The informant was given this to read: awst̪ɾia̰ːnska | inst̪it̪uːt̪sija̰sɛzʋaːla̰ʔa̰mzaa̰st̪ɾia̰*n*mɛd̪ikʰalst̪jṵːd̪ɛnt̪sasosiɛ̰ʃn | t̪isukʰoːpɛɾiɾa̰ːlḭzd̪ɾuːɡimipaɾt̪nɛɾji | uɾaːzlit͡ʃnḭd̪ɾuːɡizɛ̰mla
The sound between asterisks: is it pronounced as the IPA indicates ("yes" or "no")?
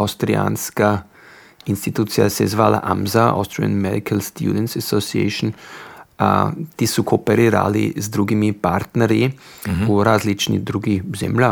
yes